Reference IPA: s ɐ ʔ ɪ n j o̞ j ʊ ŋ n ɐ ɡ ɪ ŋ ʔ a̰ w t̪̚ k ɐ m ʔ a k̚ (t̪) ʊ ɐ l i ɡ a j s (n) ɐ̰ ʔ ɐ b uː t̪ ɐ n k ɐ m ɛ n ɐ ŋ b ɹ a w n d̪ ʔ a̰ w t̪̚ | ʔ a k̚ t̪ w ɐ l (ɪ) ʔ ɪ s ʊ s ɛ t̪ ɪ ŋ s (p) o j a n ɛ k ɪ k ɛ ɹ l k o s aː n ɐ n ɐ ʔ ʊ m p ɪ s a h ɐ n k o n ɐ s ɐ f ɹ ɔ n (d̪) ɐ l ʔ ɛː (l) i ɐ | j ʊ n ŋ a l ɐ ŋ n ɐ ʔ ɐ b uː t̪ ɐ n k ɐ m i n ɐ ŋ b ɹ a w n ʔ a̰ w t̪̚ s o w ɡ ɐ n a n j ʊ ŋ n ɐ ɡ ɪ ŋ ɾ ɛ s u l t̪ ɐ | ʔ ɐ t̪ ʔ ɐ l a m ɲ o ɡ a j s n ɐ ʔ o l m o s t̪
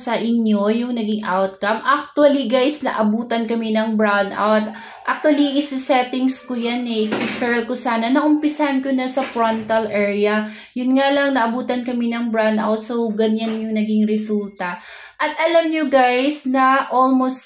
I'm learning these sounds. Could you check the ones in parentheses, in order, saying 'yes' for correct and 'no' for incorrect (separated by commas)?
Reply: yes, yes, no, no, no, no